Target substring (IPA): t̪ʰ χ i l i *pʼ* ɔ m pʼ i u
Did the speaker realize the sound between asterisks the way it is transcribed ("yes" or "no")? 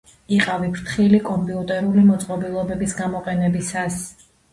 no